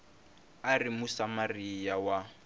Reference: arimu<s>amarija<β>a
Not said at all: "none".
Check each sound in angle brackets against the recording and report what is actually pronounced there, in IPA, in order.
s, w

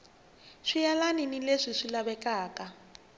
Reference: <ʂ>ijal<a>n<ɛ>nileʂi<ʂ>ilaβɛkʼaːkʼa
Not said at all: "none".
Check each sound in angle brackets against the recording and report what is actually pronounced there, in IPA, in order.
ʂ, a, i, ʂ

